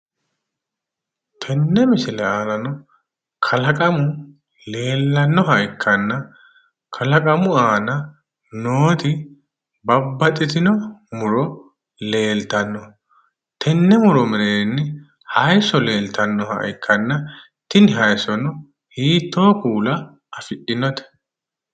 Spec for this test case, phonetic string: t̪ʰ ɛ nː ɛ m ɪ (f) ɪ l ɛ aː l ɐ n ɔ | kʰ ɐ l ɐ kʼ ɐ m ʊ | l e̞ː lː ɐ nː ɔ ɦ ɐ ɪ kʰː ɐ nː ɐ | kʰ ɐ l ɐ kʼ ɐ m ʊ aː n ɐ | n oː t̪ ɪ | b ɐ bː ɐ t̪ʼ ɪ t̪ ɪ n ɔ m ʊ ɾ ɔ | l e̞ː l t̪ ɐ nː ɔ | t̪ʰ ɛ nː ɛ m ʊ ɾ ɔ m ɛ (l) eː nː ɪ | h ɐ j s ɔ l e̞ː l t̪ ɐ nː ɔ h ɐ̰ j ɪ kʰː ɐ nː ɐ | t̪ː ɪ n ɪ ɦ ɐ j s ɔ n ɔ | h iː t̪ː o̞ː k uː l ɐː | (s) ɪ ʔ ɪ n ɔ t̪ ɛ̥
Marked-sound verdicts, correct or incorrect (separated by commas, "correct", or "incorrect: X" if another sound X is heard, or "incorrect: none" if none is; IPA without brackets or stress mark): incorrect: s, incorrect: ɾ, incorrect: f